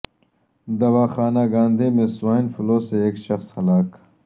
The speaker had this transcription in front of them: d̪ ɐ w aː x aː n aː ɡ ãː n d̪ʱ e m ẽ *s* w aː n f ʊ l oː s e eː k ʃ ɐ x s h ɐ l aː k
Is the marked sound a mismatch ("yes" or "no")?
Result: no